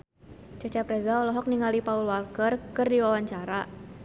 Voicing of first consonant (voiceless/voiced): voiceless